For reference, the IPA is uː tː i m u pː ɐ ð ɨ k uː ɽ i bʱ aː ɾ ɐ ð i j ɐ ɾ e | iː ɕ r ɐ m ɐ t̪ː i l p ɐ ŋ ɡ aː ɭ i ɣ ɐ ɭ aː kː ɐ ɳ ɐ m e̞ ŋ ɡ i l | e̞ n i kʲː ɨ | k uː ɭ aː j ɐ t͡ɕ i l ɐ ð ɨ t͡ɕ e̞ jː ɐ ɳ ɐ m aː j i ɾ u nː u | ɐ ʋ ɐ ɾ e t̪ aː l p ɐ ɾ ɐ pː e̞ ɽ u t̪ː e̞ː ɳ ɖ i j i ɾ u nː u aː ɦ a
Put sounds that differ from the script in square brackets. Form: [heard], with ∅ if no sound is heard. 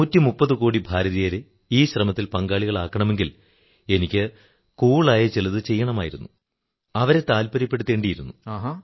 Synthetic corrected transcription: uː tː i m u pː ɐ ð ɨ k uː ɽ i bʱ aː ɾ ɐ ð i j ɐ ɾ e | iː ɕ r ɐ m ɐ t̪ː i l p ɐ ŋ ɡ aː ɭ i ɣ ɐ ɭ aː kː ɐ ɳ ɐ m e̞ ŋ ɡ i l | e̞ n i kʲː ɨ | k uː ɭ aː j ɐ t͡ɕ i l ɐ ð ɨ t͡ɕ e̞ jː ɐ ɳ ɐ m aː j i ɾ u nː u | ɐ ʋ ɐ ɾ e t̪ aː l p ɐ ɾ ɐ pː e̞ ɽ u t̪ː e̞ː ɳ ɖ i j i ɾ u nː u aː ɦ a